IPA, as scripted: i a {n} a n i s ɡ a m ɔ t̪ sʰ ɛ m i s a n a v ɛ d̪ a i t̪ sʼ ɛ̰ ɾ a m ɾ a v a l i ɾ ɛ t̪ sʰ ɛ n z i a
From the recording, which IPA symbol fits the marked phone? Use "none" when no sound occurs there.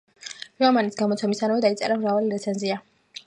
m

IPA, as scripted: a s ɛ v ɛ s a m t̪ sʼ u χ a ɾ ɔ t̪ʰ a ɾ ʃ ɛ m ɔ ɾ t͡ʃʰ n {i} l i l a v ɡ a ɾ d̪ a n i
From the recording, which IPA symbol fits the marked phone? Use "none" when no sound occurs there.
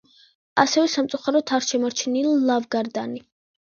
i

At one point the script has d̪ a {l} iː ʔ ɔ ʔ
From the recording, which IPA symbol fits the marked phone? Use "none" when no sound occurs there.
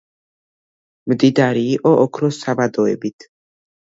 ɾ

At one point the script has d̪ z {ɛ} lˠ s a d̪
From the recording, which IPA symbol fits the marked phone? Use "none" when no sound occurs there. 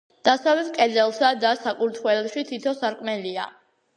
ɛ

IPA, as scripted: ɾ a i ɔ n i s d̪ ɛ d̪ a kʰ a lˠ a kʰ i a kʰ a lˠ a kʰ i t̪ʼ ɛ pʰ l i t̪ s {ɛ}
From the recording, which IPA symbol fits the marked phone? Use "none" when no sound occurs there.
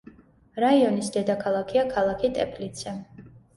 ɛ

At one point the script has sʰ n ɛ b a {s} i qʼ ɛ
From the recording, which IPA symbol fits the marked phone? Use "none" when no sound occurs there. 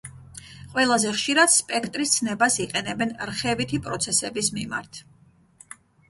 s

